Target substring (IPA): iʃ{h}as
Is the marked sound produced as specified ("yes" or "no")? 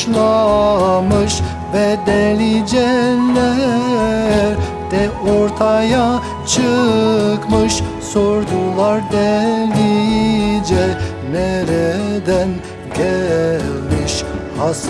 yes